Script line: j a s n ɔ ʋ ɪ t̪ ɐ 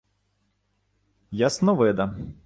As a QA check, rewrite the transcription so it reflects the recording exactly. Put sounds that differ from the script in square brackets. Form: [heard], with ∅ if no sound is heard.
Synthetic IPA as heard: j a s n ɔ ʋ ɪ [d̪] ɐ